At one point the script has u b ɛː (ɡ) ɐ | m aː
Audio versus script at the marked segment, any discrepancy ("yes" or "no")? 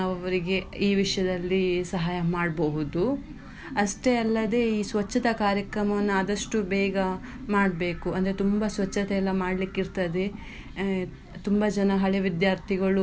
no